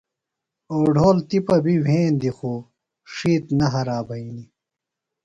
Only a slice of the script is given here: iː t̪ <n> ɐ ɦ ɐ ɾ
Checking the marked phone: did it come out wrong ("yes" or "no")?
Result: no